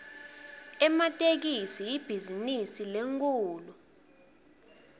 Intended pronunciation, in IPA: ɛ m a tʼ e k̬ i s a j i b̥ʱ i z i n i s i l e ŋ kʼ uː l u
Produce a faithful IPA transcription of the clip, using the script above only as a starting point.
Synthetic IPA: ɛ m a tʼ e k̬ i s i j i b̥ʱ i z i n i s i l e ŋ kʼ uː l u

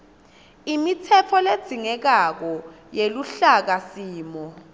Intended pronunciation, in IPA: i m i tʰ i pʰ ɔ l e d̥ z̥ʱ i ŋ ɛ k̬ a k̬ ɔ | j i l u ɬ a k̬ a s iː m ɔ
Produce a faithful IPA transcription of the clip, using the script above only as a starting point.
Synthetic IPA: i m i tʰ ɛ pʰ ɔ l e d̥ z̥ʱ i ŋ ɛ k̬ a k̬ ɔ | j e l u ɬ a k̬ a s iː m ɔ

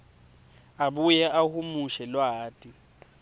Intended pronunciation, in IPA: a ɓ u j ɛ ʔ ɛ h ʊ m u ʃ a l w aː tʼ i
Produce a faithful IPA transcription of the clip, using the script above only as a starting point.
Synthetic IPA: a b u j ɛ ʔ a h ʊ m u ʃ ɛ l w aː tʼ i

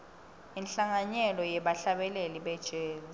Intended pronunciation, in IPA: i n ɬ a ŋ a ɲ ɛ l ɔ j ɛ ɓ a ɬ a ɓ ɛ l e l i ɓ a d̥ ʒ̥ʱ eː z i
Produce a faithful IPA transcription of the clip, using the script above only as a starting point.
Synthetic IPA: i n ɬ a ŋ a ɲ ɛ l ɔ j ɛ ɓ a ɬ a ɓ ɛ l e l i ɓ ɛ d̥ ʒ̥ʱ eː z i

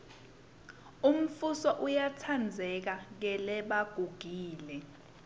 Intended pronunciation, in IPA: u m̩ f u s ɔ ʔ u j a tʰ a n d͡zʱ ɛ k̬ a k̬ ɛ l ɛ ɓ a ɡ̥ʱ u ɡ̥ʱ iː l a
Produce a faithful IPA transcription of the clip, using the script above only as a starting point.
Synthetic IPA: u m̩ f u s ɔ ʔ u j a tʰ a n d͡zʱ ɛ k̬ a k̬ ɛ l ɛ ɓ a ɡ̥ʱ u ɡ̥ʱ iː l ɛ

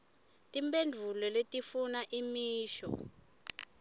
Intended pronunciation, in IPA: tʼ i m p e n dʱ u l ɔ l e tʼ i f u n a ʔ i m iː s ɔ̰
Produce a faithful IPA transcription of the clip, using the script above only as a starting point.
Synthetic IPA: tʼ i m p e n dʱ u l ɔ l e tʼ i f u n a ʔ i m iː ʃ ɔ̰

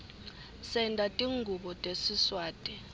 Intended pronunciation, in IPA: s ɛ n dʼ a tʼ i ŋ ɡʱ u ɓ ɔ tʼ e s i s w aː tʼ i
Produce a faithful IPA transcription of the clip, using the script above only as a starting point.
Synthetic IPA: s ɛ n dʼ a tʼ i ŋ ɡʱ u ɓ ɔ tʼ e s i s w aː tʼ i

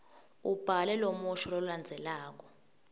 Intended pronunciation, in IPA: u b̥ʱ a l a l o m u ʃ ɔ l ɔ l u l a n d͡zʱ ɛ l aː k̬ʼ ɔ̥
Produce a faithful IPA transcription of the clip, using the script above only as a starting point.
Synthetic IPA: u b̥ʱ a l ɛ l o m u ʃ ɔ l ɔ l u l a n d͡zʱ ɛ l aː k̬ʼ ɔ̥

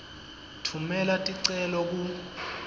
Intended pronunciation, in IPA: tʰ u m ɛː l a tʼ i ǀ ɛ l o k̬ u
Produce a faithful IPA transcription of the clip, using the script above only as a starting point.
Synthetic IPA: tʰ u m ɛ l a tʼ i ǀ ɛ l ɔ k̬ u

